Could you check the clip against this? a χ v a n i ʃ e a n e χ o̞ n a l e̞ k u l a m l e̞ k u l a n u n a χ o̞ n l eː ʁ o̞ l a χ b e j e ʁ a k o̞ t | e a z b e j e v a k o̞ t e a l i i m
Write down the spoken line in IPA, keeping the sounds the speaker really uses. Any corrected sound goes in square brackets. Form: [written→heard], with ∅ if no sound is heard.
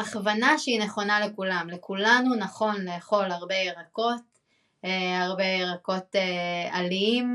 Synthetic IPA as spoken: a χ v a n [i→a] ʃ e [a→i] n e χ o̞ n a l e̞ k u l a m l e̞ k u l a n u n a χ o̞ n l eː [ʁ→χ] o̞ l a [χ→ʁ] b e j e ʁ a k o̞ t | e a [z→ʁ] b e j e [v→ʁ] a k o̞ t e a l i i m